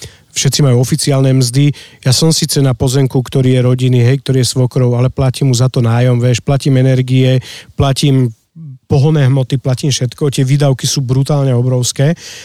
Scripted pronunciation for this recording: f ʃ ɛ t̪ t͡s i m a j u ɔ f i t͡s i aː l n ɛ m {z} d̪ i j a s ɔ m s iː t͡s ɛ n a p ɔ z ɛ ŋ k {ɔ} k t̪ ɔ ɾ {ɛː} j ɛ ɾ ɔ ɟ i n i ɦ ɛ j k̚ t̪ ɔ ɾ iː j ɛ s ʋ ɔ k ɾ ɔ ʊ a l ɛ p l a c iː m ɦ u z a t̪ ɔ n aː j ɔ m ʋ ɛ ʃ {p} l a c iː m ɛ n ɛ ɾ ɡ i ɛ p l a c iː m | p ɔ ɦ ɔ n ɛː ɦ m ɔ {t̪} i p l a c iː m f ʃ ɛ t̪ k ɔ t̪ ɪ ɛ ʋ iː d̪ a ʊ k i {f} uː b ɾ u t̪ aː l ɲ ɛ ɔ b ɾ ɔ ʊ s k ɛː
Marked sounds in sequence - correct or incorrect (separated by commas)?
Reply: correct, incorrect, incorrect, correct, correct, incorrect